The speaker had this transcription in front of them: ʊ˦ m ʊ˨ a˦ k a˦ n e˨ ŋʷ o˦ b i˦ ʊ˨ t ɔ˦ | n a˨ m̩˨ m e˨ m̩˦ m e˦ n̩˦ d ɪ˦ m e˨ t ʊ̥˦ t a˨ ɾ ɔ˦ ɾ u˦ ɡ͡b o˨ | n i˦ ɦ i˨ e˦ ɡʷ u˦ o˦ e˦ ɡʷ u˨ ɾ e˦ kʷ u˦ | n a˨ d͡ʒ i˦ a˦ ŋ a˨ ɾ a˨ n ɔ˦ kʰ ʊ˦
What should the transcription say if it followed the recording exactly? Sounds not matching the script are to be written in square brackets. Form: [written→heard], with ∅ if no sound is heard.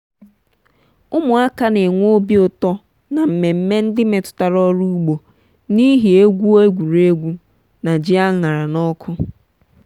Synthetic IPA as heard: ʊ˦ m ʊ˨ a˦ k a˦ n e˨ ŋʷ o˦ b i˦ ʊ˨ t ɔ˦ | n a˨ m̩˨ m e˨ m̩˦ m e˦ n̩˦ d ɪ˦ m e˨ t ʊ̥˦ t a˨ ɾ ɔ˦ ɾ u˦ ɡ͡b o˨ | n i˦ ɦ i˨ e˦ ɡʷ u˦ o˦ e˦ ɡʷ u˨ ɾ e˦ [kʷ→ɡʷ] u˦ | n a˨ d͡ʒ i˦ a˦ ŋ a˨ ɾ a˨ n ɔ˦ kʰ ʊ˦